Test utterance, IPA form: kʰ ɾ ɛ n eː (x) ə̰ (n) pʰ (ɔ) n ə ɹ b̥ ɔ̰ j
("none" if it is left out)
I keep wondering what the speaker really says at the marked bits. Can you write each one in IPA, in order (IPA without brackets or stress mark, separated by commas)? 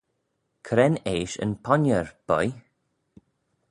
ʃ, n, ɔ